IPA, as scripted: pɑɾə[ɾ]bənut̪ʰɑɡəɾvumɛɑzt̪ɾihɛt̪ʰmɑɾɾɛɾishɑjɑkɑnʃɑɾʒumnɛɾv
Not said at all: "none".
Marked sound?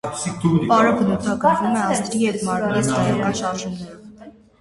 none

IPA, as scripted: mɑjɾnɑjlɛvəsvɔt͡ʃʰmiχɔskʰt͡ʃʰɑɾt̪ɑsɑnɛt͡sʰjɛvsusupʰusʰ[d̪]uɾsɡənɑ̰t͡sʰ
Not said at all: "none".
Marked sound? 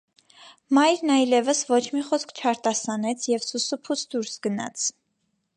d̪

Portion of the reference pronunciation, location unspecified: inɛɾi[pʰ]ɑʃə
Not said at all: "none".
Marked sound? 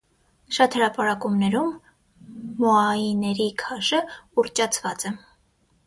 kʰ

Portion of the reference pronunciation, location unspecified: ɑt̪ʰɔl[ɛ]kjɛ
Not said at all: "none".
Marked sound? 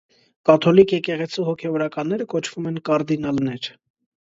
i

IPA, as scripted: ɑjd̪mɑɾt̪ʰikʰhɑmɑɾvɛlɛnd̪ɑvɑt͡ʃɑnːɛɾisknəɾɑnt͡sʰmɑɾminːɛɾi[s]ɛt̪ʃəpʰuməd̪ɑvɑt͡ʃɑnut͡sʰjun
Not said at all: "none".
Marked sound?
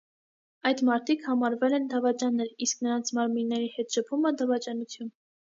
h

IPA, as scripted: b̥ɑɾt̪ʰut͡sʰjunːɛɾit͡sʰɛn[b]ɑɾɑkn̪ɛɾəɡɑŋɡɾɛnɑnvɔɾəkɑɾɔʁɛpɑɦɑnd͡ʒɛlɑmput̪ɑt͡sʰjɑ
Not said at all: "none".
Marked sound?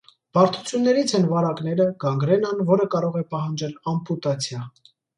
v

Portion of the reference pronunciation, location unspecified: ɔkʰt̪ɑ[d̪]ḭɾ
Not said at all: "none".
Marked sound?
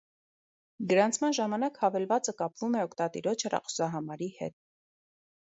t̪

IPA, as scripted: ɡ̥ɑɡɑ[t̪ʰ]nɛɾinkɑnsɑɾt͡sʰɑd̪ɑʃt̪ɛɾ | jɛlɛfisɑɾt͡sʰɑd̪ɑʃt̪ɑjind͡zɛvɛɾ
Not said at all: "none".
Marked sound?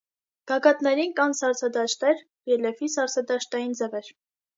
t̪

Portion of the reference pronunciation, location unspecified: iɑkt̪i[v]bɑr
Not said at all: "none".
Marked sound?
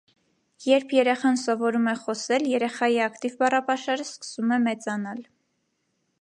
v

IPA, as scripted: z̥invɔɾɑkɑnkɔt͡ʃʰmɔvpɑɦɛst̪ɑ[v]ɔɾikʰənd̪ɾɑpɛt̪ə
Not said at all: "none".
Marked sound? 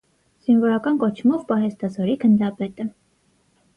z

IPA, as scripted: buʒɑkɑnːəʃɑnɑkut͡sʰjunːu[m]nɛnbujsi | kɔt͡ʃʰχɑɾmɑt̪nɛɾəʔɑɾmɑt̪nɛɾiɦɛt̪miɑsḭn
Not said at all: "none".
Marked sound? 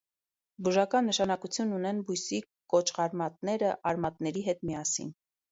none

